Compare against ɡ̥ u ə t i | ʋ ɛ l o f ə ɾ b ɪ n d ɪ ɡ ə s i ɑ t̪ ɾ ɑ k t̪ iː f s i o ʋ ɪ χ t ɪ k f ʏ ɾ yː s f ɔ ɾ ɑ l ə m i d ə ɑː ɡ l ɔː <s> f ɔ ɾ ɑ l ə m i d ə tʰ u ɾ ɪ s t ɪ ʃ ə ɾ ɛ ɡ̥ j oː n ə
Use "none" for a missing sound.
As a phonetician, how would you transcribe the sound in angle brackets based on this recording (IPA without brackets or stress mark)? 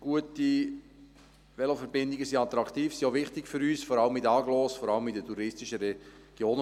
s